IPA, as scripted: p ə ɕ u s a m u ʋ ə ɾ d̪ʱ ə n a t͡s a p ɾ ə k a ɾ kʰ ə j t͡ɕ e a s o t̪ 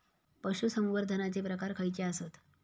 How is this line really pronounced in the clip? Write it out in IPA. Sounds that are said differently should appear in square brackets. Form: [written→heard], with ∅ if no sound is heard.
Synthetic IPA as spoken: p ə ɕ u s [a→ə] m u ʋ ə ɾ d̪ʱ ə n a t͡s [a→e] p ɾ ə k a ɾ kʰ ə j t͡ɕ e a s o t̪